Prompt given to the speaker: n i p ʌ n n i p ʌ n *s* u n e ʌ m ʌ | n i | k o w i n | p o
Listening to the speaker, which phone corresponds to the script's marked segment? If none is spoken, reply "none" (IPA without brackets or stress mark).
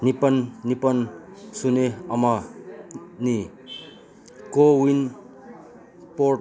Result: s